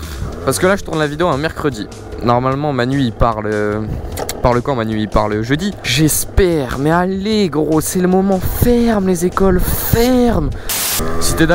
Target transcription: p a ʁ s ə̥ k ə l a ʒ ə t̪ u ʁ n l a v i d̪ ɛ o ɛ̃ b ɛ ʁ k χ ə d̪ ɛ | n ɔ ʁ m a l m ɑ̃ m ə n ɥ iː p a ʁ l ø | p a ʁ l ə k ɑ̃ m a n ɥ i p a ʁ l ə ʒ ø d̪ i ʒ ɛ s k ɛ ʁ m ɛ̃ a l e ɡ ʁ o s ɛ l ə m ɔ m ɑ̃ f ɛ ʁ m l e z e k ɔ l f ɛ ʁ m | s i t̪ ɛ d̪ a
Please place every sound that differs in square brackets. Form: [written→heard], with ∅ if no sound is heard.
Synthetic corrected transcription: p a ʁ s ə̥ k ə l a ʒ ə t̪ u ʁ n l a v i d̪ [ɛ→e] o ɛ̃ [b→m] ɛ ʁ k χ ə d̪ [ɛ→i] | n ɔ ʁ m a l m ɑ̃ m [ə→a] n ɥ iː p a ʁ l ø | p a ʁ l ə k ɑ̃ m a n ɥ i p a ʁ l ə ʒ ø d̪ i ʒ ɛ s [k→p] ɛ ʁ m [ɛ̃→ɛ] a l e ɡ ʁ o s ɛ l ə m ɔ m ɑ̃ f ɛ ʁ m l e z e k ɔ l f ɛ ʁ m | s i t̪ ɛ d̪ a